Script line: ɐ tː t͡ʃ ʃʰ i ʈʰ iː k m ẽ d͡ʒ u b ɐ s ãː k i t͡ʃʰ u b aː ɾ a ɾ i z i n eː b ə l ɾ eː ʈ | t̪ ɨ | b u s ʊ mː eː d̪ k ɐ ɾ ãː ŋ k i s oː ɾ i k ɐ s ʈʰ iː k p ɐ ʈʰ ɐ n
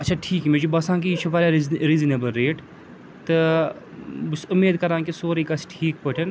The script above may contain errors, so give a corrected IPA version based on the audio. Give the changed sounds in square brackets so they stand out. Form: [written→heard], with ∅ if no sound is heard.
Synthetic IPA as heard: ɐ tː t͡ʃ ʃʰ [i→a] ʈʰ iː k m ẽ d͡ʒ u b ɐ s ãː k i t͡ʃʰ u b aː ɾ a ɾ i z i n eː b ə l ɾ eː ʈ | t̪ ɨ | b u s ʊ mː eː d̪ k ɐ ɾ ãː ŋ k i s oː ɾ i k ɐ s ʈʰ iː k p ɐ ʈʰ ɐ n